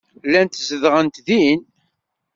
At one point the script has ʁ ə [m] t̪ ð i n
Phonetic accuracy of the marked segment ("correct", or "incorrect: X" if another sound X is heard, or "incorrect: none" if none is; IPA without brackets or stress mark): incorrect: n